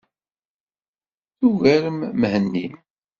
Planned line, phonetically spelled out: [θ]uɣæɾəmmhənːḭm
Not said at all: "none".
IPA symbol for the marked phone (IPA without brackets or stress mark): θ